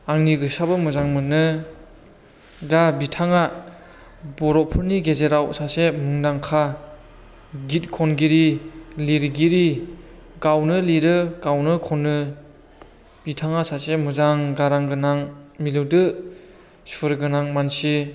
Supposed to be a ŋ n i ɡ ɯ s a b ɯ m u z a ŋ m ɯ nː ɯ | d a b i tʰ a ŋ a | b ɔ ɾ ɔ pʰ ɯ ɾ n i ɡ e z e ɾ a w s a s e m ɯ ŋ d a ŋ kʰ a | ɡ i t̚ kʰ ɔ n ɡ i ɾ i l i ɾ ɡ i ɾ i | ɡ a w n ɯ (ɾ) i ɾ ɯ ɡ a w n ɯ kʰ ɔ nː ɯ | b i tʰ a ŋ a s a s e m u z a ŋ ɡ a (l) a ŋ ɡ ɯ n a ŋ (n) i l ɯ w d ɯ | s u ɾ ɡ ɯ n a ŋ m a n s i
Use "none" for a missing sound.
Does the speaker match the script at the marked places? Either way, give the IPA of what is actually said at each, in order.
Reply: l, ɾ, m

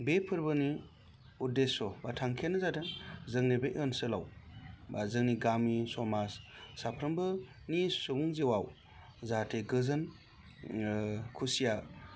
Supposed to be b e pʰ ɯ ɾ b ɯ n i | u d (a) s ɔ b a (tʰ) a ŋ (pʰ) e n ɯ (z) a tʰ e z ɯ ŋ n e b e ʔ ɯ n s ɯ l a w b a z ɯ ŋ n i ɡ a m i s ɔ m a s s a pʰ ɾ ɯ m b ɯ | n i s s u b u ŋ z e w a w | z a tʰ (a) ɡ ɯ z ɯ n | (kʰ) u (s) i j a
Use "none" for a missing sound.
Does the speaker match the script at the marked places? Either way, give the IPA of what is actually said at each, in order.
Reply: e, tʰ, kʰ, z, e, kʰ, s

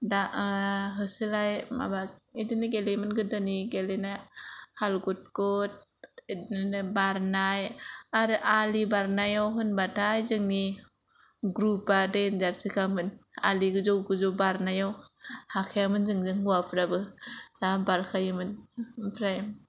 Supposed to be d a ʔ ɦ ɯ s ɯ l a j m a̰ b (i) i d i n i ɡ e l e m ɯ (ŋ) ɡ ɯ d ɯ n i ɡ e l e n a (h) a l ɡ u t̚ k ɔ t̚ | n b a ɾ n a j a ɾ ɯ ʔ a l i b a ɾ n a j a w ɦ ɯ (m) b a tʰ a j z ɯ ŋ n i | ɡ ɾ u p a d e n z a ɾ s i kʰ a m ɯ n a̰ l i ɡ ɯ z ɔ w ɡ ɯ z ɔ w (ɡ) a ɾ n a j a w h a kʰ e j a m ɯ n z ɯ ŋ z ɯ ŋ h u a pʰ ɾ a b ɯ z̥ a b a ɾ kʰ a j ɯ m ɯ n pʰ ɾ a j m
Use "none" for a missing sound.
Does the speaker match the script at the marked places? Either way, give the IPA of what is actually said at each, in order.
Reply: a, n, h, n, b

